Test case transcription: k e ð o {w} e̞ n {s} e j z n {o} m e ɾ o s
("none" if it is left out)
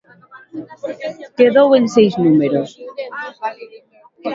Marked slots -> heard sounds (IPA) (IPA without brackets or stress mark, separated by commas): w, s, u